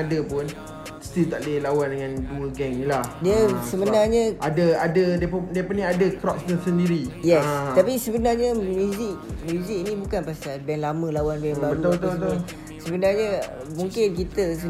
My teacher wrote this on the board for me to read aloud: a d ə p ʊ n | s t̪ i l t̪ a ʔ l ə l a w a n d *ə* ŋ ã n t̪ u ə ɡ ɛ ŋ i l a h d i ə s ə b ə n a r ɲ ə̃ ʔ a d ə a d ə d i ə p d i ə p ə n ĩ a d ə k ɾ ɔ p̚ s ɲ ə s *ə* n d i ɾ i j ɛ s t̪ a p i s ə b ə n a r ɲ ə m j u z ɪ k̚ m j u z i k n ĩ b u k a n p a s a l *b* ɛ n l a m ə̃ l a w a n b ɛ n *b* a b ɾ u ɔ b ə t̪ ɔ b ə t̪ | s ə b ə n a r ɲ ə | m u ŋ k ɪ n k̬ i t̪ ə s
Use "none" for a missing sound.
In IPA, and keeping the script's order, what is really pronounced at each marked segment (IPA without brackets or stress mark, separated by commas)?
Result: ə, ə, b, b